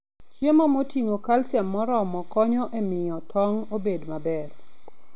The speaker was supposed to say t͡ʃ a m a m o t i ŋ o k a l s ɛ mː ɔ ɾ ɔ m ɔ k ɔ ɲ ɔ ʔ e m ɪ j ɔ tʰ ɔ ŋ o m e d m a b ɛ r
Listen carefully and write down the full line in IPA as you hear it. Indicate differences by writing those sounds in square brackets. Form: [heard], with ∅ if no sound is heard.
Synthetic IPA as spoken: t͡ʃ [e] m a m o t i ŋ o k a l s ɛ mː ɔ ɾ ɔ m ɔ k ɔ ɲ ɔ ʔ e m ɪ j ɔ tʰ ɔ ŋ o [b] e d m a b ɛ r